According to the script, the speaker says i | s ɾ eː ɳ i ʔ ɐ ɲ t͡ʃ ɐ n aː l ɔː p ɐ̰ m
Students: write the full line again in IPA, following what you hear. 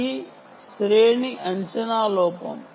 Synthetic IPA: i | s ɾ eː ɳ i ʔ ɐ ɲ t͡ʃ ɐ n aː l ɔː p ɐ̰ m